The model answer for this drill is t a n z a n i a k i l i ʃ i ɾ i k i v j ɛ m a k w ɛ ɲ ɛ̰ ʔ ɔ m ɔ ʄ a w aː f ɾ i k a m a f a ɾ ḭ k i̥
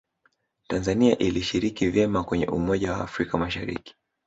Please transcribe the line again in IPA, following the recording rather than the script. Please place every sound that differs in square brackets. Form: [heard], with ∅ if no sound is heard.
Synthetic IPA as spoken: t a n z a n i a [ʔ] i l i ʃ i ɾ i k i v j ɛ m a k w ɛ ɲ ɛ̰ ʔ [u] m ɔ ʄ a w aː f ɾ i k a m a [ʃ] a ɾ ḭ k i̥